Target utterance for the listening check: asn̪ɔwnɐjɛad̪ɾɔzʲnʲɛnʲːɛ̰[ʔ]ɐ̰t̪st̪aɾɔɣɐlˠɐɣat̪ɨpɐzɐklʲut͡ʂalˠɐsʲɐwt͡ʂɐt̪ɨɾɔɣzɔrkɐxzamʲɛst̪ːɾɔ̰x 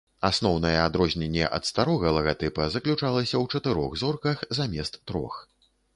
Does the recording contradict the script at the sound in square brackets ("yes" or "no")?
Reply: no